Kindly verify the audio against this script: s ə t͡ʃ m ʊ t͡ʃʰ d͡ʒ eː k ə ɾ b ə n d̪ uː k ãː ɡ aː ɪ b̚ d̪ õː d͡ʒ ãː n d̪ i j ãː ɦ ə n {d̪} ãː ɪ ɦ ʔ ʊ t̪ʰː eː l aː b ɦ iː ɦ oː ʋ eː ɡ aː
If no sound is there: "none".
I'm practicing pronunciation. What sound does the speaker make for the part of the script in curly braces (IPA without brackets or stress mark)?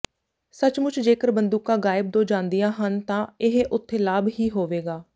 t̪